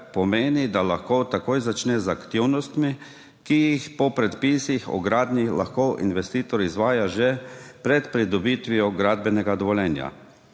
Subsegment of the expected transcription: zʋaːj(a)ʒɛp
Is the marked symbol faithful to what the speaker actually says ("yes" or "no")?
yes